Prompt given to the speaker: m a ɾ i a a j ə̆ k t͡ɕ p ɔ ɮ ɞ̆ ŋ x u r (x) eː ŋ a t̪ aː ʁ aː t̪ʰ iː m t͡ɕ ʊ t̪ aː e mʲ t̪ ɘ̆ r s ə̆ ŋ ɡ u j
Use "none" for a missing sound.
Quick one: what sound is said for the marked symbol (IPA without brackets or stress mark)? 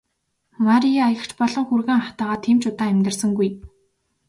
ɣ